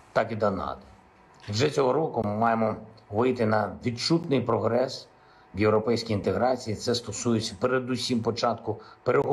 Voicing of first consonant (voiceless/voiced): voiceless